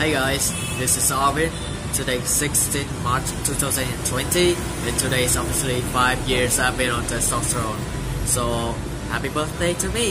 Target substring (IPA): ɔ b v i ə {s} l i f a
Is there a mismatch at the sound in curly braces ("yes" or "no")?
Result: no